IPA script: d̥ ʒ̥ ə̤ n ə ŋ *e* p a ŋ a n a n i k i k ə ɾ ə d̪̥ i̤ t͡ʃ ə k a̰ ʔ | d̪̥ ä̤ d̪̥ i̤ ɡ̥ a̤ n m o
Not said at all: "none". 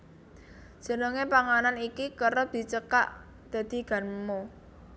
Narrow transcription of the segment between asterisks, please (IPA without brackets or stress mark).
e